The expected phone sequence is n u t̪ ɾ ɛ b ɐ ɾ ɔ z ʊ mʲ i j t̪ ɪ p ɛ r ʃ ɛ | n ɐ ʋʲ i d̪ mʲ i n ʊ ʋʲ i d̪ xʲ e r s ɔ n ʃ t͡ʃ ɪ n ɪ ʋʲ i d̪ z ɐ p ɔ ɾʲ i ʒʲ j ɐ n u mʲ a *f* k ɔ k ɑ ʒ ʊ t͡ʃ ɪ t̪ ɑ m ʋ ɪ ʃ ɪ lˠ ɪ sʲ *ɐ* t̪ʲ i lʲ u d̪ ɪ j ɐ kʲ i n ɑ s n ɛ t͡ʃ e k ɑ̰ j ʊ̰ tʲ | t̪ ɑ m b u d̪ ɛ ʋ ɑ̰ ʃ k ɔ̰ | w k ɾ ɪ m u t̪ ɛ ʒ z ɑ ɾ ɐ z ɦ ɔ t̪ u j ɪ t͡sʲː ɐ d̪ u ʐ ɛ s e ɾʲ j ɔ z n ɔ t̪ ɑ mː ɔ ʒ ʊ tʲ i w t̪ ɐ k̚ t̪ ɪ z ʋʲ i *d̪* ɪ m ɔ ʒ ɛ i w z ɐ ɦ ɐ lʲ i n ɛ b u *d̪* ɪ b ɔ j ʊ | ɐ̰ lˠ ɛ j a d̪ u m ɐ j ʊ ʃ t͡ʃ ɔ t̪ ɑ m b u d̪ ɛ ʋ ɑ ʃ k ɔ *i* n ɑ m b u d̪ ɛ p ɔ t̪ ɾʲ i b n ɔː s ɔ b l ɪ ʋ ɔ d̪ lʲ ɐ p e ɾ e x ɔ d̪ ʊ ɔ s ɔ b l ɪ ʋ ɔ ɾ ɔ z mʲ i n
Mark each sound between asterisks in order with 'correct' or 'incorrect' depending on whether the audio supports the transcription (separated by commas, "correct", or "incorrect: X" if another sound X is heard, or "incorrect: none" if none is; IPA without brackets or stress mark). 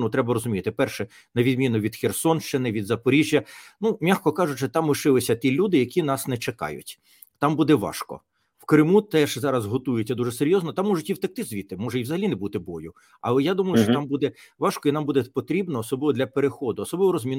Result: incorrect: x, correct, incorrect: t̪, incorrect: t̪, correct